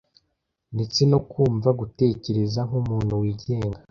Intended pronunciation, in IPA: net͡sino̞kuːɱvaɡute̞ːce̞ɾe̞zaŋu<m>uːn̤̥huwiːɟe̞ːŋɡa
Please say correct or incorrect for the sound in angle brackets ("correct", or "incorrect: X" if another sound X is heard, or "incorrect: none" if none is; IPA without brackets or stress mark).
correct